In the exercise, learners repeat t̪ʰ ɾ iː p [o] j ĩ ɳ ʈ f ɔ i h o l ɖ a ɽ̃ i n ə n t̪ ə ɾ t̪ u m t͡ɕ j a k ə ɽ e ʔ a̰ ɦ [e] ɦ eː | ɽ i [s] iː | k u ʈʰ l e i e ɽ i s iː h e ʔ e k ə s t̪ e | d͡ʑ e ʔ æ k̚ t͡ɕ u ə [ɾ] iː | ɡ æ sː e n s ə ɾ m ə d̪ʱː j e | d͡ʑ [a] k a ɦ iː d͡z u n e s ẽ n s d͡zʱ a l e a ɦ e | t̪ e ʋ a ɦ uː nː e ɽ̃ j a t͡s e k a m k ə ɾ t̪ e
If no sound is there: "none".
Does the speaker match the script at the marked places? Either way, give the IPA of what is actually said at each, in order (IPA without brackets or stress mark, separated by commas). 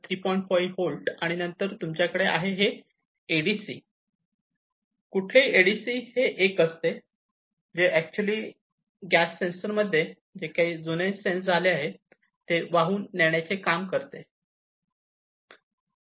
ɔ, e, s, l, e